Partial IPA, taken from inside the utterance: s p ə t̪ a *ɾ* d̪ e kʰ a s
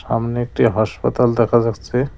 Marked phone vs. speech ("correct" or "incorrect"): incorrect